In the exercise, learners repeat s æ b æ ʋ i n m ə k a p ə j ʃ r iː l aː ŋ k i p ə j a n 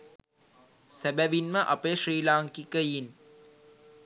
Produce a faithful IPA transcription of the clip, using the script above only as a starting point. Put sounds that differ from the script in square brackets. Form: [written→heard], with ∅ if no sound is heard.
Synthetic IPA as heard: s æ b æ ʋ i n m ə [k→ʔ] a p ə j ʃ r iː l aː ŋ k i [p→k] ə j [a→i] n